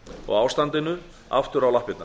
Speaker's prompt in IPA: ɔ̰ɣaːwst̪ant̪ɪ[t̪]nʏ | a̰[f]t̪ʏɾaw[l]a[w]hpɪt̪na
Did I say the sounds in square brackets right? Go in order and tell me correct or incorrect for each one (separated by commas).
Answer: incorrect, correct, correct, incorrect